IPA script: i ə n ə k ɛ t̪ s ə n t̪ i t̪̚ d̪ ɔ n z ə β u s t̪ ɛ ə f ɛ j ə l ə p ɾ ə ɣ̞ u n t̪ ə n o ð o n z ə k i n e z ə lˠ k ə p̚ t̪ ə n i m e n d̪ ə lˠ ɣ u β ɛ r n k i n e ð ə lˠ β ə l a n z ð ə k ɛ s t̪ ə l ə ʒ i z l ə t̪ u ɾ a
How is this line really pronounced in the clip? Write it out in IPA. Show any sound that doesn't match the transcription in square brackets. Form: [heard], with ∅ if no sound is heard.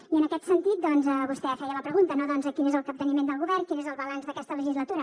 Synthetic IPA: i ə n ə k ɛ t̪ s ə n t̪ i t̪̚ d̪ ɔ n z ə β u s t̪ ɛ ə f ɛ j ə l ə p ɾ ə ɣ̞ u n t̪ ə n o ð [ɔ] n z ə k i n e z ə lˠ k ə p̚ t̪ ə n i m e n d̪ ə lˠ ɣ u β ɛ r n k i n e [z] ə lˠ β ə l a n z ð ə k ɛ s t̪ ə l ə ʒ i z l ə t̪ u ɾ [ə]